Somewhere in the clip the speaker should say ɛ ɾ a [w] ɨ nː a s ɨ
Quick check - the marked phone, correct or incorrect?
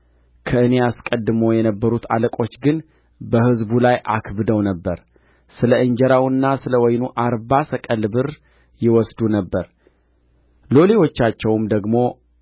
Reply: correct